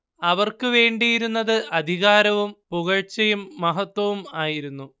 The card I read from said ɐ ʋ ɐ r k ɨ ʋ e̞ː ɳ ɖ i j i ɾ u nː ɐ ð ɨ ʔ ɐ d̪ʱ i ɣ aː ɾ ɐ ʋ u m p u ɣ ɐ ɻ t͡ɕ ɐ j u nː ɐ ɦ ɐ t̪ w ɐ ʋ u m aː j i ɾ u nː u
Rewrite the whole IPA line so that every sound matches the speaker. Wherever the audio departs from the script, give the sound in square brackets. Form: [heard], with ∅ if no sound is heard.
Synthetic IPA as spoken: ɐ ʋ ɐ r k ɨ ʋ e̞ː ɳ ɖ i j i ɾ u nː ɐ ð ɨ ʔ ɐ d̪ʱ i ɣ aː ɾ ɐ ʋ u m p u ɣ ɐ ɻ t͡ɕ ɐ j u [mː] ɐ ɦ ɐ t̪ w ɐ ʋ u m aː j i ɾ u nː u